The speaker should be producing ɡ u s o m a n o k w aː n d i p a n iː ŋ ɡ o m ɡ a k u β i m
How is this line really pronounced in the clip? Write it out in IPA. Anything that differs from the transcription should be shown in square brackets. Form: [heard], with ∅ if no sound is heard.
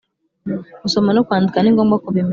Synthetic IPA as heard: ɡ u s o m a n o k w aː n d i [k] a n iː ŋ ɡ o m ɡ a k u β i m